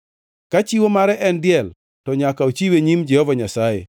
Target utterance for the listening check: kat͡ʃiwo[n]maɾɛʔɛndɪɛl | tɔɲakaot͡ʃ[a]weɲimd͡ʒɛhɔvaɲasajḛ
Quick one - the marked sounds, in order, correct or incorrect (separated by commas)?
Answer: incorrect, incorrect